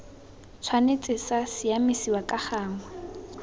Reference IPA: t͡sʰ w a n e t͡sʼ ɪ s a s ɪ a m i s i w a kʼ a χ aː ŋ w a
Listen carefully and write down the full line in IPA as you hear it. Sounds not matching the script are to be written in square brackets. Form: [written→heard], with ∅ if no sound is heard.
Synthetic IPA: t͡sʰ w a n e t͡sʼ ɪ s a s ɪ a m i s i w a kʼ a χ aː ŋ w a